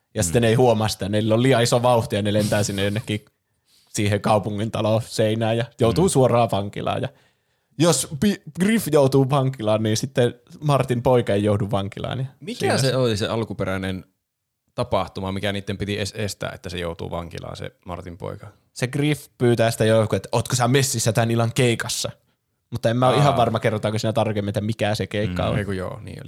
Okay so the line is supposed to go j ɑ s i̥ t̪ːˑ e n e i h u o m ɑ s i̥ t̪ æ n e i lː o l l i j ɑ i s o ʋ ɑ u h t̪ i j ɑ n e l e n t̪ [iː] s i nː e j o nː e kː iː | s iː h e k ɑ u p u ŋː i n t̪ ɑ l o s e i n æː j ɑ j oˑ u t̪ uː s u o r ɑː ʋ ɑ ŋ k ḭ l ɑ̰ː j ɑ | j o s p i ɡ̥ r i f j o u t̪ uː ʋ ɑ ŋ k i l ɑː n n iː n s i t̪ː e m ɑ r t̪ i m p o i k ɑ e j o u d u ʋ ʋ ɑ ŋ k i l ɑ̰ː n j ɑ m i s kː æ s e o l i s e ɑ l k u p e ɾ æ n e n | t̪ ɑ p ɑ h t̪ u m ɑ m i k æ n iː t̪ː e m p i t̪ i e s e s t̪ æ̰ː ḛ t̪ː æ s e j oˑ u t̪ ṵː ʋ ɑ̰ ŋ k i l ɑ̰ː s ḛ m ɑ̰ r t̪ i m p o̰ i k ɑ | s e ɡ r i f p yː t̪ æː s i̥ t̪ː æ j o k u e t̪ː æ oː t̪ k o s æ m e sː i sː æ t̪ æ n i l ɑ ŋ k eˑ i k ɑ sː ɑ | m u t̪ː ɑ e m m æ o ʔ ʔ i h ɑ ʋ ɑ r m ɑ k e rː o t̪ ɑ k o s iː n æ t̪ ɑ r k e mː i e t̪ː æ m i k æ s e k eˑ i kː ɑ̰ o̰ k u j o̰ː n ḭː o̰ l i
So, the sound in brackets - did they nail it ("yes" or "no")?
no